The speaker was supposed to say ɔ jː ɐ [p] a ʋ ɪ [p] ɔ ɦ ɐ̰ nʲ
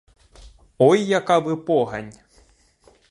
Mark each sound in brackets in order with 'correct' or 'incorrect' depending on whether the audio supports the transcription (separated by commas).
incorrect, correct